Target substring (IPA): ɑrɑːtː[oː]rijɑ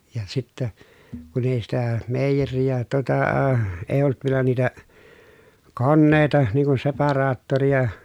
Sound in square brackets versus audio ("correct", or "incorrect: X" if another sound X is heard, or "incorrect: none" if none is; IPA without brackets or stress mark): incorrect: o